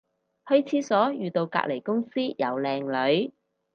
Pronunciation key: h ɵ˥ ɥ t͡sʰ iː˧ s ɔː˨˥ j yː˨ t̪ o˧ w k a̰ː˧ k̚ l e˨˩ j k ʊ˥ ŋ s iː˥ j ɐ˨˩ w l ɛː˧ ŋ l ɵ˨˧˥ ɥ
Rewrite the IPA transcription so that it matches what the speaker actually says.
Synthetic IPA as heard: h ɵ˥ ɥ t͡sʰ iː˨˥ s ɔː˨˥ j yː˨ t̪ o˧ w k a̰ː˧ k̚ l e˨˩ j k ʊ˥ ŋ s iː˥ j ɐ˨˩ w l ɛː˧ ŋ l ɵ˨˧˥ ɥ

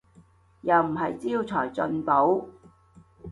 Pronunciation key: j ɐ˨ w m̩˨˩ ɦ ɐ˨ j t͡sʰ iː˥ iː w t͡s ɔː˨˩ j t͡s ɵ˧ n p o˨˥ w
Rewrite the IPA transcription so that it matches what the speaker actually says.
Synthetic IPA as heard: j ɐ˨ w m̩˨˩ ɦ ɐ˨ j t͡s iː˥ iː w t͡sʰ ɔː˨˩ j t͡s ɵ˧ n p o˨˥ w

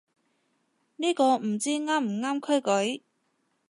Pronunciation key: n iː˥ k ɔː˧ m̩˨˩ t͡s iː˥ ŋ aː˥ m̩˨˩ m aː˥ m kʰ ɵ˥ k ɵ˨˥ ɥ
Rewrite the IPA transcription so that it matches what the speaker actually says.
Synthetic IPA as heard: n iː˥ k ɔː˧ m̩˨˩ t͡s iː˥ ŋ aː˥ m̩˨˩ ŋ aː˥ m kʰ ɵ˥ k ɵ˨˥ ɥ

